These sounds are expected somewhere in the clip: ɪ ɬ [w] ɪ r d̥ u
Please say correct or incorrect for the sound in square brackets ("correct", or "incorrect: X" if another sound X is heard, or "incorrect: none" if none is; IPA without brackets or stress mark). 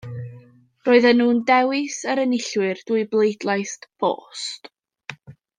correct